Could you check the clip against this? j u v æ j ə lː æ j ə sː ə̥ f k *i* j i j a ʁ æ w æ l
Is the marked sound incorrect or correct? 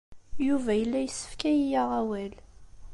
incorrect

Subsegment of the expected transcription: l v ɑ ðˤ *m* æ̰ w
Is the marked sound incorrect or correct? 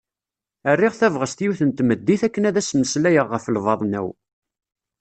incorrect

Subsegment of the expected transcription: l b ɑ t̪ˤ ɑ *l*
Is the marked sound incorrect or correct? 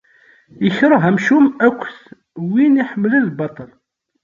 correct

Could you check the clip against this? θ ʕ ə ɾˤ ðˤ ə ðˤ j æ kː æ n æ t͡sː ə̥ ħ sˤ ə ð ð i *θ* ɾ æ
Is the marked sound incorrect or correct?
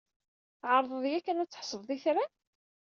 correct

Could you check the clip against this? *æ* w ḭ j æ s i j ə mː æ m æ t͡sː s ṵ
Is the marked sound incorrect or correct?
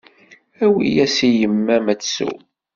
correct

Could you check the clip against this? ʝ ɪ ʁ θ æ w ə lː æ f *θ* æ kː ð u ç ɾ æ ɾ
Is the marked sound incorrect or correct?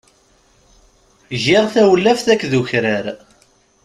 correct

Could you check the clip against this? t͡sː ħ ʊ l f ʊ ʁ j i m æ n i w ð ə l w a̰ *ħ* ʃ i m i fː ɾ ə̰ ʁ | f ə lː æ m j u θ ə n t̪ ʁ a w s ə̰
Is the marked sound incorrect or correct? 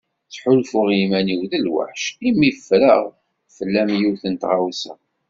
correct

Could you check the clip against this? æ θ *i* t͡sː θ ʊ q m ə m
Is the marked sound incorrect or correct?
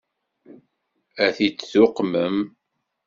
correct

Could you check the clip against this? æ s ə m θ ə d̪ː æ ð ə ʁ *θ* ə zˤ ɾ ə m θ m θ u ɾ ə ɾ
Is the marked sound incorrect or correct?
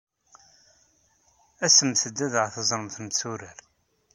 correct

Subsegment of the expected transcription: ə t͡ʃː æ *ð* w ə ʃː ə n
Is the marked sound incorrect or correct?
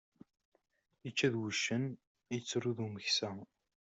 correct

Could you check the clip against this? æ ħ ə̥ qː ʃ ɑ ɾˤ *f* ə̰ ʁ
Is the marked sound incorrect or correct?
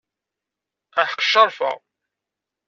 correct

